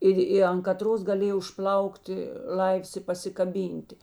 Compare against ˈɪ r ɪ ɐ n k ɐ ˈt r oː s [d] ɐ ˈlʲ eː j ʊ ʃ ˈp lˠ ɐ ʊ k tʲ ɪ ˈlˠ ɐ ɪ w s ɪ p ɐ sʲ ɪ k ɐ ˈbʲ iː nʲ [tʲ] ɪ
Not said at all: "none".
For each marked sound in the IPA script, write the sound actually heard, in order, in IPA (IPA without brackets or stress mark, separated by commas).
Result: ɡ, tʲ